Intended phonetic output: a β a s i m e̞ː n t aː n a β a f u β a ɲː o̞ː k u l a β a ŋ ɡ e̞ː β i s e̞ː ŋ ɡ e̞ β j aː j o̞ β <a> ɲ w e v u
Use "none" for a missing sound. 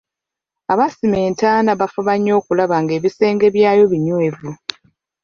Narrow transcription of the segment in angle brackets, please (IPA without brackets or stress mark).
i